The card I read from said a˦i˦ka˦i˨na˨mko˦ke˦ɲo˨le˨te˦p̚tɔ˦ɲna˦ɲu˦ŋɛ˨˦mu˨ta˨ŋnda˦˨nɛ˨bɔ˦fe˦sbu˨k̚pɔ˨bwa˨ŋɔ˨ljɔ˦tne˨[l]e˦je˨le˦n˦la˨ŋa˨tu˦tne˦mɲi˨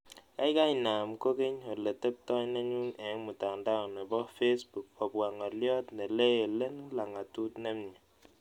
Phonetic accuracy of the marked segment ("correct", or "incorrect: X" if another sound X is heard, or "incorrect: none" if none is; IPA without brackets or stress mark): correct